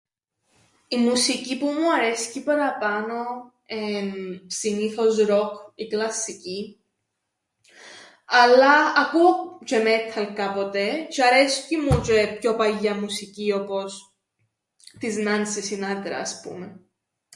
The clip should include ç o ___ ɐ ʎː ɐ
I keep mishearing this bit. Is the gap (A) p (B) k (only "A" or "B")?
A